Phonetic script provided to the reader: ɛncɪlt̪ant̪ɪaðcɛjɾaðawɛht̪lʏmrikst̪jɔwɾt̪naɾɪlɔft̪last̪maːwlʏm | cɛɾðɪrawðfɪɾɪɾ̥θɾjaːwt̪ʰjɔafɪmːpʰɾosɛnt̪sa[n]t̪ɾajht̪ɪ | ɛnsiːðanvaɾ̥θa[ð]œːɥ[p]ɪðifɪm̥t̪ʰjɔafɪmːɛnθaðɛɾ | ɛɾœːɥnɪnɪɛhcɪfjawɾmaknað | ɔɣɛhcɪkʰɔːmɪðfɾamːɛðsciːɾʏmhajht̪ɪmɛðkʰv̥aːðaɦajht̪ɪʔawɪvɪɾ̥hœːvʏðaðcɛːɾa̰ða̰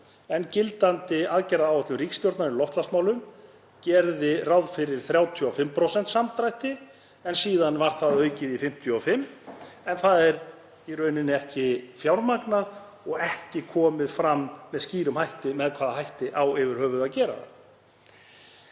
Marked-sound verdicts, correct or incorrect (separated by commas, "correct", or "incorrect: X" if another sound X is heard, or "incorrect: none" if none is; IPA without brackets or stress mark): incorrect: m, correct, incorrect: c